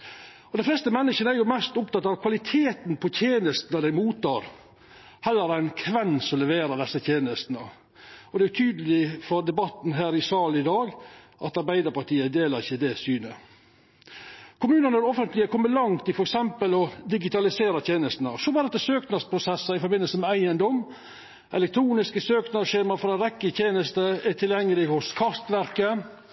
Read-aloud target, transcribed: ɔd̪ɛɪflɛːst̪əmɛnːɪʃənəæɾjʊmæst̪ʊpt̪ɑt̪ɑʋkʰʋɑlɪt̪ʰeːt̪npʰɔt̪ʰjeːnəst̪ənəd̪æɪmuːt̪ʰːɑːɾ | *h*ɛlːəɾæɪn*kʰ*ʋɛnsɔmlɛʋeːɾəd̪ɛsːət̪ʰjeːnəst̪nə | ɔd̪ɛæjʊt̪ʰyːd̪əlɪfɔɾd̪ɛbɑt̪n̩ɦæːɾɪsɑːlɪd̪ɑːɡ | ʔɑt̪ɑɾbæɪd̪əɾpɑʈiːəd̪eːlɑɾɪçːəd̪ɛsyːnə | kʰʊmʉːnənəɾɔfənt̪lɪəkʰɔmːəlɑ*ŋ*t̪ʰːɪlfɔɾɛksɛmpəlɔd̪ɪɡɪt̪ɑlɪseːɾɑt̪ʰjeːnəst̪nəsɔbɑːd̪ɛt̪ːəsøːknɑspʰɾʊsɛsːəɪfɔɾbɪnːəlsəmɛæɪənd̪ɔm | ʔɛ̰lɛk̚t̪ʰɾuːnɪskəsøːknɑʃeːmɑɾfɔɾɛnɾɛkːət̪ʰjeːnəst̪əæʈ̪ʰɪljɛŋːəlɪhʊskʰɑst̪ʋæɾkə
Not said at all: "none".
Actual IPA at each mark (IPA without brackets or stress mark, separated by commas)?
h, kʰ, ŋ